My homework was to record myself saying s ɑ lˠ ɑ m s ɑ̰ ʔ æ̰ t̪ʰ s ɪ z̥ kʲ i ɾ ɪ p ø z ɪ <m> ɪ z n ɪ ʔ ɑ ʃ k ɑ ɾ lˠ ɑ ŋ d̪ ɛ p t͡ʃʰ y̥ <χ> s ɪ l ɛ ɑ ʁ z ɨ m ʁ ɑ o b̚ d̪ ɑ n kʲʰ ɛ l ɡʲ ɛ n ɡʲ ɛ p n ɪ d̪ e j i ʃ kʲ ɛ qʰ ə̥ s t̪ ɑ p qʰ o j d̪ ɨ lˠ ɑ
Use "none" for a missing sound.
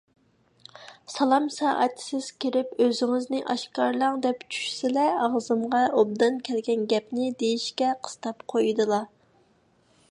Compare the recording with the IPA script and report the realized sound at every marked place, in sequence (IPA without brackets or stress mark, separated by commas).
ŋ, ʃ